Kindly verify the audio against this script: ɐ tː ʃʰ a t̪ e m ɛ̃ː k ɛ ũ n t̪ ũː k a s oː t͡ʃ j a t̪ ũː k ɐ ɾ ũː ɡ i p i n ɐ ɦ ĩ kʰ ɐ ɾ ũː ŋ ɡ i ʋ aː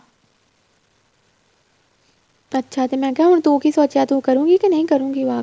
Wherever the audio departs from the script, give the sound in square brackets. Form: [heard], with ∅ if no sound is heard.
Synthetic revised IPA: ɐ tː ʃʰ a t̪ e m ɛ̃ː k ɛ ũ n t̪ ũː k [i] s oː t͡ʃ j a t̪ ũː k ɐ ɾ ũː ɡ i [k] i n ɐ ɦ ĩ [k] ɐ ɾ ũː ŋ ɡ i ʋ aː